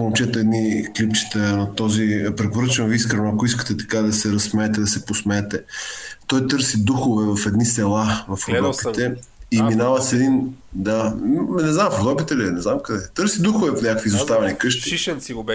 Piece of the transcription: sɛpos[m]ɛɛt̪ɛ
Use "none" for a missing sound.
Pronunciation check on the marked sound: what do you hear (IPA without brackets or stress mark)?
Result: m